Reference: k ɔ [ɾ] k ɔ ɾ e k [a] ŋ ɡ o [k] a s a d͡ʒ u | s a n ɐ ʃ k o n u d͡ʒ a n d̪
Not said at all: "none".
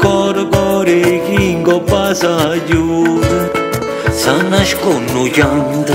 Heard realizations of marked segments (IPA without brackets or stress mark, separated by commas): ɾ, i, p